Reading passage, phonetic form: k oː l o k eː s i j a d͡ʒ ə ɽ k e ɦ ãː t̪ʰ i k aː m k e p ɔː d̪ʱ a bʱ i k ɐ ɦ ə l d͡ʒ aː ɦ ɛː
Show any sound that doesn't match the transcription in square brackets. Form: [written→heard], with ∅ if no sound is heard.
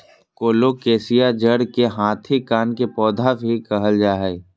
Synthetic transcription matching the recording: k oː l o k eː s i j a d͡ʒ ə ɽ k e ɦ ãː t̪ʰ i k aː [m→n] k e p ɔː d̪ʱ a bʱ i k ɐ ɦ ə l d͡ʒ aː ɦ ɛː

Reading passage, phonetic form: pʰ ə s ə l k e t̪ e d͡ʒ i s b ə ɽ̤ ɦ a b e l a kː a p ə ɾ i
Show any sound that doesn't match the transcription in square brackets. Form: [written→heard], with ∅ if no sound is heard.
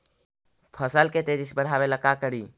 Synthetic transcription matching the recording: pʰ ə s ə l k e t̪ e d͡ʒ i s b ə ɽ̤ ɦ a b e l [a→ə] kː a [p→k] ə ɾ i

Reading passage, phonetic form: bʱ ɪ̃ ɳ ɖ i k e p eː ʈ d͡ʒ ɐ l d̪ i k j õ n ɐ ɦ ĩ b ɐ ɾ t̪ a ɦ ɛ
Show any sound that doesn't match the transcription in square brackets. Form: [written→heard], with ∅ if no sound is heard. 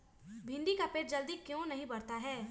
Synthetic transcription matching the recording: bʱ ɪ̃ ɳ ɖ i k [e→a] p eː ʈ d͡ʒ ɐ l d̪ i k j õ n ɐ ɦ ĩ b ɐ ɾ t̪ a ɦ [ɛ→ɛː]

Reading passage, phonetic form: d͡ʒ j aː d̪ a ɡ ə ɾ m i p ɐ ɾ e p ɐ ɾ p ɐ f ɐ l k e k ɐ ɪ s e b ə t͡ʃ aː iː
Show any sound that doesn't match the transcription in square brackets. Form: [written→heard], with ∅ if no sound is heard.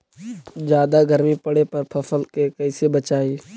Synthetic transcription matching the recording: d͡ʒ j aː d̪ a ɡ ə ɾ m i p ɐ [ɾ→ɽ] e p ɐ ɾ [p→pʰ] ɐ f [ɐ→ə] l k e k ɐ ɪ s e b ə t͡ʃ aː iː

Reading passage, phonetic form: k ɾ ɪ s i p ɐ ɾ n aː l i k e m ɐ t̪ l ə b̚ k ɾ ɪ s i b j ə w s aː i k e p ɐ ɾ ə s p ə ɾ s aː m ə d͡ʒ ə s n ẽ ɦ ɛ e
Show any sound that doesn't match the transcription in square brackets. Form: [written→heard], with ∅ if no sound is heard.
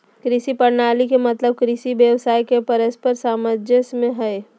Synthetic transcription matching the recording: k ɾ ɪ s i p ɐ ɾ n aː l i k e m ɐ t̪ l ə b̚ k ɾ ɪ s i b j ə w s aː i k e p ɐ ɾ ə s p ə ɾ s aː m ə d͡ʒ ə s [n→m] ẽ ɦ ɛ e

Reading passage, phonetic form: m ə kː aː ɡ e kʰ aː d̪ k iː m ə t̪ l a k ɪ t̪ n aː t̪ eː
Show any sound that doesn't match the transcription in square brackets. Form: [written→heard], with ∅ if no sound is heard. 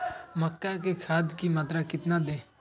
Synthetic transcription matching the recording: m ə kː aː [ɡ→k] e kʰ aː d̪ k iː m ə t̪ [l→ɾ] a k ɪ t̪ n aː [t̪→d̪] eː

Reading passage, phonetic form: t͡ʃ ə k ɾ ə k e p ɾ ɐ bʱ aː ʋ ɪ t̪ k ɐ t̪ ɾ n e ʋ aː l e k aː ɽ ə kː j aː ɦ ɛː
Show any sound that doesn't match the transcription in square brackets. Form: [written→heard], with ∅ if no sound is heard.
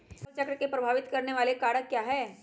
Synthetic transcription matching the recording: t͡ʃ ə k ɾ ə k e p ɾ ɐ bʱ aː ʋ ɪ t̪ k ɐ [t̪→∅] ɾ n e ʋ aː l e k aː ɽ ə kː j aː ɦ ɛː

